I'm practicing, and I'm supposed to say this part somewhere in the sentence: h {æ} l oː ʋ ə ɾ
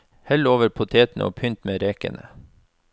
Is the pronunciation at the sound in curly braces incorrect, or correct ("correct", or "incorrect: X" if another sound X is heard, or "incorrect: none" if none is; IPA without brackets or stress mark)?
incorrect: ɛ